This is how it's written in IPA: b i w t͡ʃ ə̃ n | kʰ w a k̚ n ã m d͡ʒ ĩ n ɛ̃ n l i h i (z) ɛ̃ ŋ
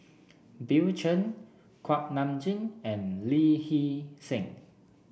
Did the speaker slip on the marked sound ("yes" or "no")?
yes